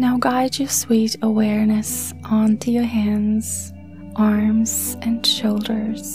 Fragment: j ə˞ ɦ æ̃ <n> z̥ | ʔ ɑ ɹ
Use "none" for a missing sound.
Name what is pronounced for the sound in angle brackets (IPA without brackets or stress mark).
n